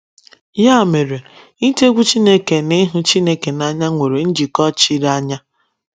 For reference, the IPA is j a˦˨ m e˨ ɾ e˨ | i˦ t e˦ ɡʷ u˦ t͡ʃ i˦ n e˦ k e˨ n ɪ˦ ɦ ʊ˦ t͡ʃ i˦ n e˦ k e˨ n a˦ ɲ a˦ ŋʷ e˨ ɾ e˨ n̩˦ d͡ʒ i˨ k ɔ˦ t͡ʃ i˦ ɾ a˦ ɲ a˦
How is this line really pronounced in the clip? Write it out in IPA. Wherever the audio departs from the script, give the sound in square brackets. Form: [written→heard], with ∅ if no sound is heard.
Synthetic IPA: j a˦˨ m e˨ ɾ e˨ | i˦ t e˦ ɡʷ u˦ t͡ʃ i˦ n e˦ k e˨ n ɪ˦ ɦ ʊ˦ t͡ʃ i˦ n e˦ k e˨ n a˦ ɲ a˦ ŋʷ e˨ ɾ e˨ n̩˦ d͡ʒ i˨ k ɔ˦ t͡ʃ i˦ ɾ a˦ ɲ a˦

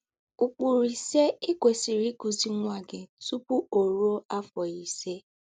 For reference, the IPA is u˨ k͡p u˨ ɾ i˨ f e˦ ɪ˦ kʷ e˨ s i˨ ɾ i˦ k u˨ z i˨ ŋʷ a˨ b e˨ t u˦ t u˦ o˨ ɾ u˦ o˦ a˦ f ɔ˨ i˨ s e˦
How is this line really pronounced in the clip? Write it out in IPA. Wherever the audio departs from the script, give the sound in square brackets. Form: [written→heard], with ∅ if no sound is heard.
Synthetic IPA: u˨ k͡p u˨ ɾ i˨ [f→s] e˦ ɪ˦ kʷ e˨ s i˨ ɾ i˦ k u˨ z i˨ ŋʷ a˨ [b→ɡ] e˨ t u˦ [t→p] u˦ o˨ ɾ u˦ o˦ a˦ f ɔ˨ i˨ s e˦

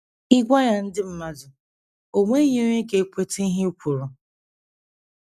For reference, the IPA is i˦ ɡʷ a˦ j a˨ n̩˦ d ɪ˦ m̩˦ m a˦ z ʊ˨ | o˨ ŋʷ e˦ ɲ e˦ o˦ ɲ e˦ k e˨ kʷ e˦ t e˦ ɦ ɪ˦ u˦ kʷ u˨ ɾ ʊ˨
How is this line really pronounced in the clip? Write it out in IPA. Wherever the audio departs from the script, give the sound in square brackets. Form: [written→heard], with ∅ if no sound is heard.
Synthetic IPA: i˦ ɡʷ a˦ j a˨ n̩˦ d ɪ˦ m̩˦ m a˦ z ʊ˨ | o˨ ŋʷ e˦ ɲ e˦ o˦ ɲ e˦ k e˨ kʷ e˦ t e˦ ɦ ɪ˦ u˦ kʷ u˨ ɾ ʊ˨

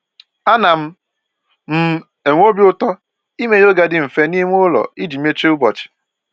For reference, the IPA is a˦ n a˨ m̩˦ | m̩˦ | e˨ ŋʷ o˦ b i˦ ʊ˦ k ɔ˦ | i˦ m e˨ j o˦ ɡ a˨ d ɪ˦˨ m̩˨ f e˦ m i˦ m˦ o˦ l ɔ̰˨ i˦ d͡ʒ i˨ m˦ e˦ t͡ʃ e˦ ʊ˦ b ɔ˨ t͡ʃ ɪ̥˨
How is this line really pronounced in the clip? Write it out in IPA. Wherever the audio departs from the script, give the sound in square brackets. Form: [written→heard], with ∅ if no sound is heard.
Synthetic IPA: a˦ n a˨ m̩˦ | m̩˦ | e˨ ŋʷ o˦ b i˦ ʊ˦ [k→t] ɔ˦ | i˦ m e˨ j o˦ ɡ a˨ d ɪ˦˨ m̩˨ f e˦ [m→n] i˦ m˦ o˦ l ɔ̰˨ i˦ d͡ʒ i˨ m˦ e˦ t͡ʃ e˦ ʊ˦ b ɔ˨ t͡ʃ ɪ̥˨

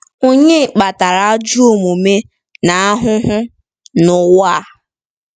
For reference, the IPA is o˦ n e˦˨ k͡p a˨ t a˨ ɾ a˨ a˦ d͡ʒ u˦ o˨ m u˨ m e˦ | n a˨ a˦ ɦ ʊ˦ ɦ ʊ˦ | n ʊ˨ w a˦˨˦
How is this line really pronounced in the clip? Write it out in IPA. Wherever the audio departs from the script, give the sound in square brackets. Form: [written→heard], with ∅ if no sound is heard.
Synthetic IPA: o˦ [n→ɲ] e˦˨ k͡p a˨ t a˨ ɾ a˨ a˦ d͡ʒ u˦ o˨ m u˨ m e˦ | n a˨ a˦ ɦ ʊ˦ ɦ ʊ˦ | n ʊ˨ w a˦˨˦

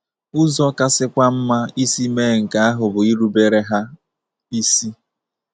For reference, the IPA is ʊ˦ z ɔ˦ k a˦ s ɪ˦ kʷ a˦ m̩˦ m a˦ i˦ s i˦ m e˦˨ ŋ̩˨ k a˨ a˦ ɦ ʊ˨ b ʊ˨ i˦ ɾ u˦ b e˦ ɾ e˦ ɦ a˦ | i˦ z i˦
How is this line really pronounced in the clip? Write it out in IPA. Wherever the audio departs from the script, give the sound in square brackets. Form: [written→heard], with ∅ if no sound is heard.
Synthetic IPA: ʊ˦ z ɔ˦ k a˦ s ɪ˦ kʷ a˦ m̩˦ m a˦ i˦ s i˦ m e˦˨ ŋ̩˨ k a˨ a˦ ɦ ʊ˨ b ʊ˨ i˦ ɾ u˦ b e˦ ɾ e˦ ɦ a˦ | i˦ [z→s] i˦

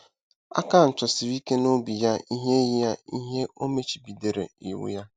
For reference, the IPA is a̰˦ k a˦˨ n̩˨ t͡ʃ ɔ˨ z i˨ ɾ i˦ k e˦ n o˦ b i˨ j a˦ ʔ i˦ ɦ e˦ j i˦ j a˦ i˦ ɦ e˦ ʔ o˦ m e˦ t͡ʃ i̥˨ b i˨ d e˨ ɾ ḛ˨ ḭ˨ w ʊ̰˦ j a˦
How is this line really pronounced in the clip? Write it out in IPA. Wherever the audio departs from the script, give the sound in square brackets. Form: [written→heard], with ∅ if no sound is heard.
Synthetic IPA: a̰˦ k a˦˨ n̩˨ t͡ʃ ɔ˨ [z→s] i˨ ɾ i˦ k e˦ n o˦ b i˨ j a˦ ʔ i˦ ɦ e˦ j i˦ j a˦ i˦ ɦ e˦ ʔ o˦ m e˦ t͡ʃ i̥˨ b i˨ d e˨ ɾ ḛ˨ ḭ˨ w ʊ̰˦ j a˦

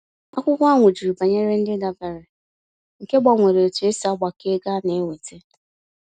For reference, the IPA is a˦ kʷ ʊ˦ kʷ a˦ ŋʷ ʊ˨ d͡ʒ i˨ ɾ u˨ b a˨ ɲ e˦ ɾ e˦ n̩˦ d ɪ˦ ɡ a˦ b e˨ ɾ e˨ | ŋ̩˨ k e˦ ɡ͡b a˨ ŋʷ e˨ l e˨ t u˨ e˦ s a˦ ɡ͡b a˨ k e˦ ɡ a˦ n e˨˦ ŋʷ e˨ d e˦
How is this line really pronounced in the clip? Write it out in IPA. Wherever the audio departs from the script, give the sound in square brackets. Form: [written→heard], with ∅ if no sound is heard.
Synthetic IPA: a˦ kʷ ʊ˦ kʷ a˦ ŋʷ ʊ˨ d͡ʒ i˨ ɾ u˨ b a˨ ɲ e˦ ɾ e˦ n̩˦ d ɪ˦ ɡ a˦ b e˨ ɾ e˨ | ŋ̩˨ k e˦ ɡ͡b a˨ ŋʷ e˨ [l→ɾ] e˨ t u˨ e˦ s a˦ ɡ͡b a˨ k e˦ ɡ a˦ n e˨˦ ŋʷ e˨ [d→t] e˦

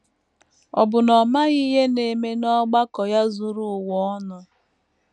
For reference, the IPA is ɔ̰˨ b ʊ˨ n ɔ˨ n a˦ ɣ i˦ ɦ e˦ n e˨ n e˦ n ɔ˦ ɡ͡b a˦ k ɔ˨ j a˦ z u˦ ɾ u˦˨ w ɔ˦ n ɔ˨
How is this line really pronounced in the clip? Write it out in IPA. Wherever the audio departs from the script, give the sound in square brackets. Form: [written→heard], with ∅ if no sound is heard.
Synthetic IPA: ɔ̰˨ b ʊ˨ n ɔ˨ [n→m] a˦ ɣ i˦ ɦ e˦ n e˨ [n→m] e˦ n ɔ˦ ɡ͡b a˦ k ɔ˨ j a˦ z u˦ ɾ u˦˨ w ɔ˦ n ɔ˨

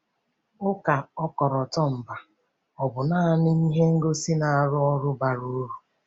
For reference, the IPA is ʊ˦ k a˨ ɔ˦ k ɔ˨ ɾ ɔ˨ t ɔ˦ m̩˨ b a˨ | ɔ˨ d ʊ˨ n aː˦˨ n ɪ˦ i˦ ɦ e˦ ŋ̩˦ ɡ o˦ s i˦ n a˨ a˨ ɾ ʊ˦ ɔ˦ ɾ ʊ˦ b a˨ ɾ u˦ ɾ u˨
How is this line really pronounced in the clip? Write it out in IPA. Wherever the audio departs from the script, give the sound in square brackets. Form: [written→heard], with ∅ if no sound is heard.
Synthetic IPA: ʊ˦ k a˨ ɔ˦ k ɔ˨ ɾ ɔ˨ t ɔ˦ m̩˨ b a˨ | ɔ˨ [d→b] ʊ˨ n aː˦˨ n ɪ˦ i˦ ɦ e˦ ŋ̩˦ ɡ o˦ s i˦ n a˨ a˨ ɾ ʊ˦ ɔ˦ ɾ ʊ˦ b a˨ ɾ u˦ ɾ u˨

